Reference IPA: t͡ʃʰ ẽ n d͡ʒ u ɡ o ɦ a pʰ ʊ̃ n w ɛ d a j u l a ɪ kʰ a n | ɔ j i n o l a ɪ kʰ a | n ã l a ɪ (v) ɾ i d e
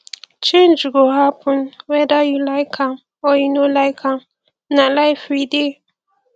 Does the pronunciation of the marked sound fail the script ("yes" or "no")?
yes